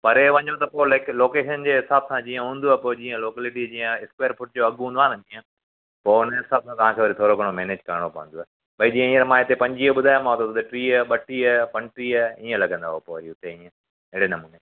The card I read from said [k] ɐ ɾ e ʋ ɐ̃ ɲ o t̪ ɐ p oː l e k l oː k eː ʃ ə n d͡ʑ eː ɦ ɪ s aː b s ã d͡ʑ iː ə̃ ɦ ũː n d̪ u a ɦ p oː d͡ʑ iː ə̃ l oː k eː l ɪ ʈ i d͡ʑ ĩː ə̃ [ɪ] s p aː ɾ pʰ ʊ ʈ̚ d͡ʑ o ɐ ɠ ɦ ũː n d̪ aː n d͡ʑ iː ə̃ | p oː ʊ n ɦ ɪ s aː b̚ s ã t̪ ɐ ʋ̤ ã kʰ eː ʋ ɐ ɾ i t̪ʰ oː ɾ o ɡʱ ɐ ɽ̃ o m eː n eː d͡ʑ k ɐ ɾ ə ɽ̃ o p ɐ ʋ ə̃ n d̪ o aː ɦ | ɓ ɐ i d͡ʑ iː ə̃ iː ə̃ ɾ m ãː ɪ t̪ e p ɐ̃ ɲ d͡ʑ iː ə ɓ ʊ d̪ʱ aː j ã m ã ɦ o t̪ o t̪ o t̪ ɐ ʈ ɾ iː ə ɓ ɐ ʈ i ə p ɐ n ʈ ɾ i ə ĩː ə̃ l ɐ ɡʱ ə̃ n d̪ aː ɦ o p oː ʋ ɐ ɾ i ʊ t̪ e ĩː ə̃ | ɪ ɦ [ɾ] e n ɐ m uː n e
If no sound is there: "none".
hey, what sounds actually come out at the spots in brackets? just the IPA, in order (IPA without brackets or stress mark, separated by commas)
p, ɪ, ɽ